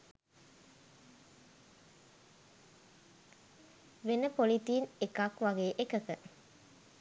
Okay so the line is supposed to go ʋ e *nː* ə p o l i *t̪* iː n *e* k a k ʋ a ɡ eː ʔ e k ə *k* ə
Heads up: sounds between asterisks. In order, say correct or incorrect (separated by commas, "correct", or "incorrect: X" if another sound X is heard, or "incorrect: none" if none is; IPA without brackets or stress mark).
incorrect: n, correct, correct, correct